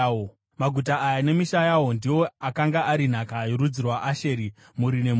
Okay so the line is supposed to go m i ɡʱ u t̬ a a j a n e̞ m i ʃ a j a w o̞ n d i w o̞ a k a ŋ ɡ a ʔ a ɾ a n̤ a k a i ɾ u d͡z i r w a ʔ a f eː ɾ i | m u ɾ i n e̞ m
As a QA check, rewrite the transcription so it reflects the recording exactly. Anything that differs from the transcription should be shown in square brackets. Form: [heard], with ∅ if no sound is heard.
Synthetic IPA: m [a] ɡʱ u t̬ a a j a n e̞ m i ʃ a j a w o̞ n d i w o̞ a k a ŋ ɡ a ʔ a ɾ [i] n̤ a k a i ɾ u d͡z i r w a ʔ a [ʃ] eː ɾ i | m u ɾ i n e̞ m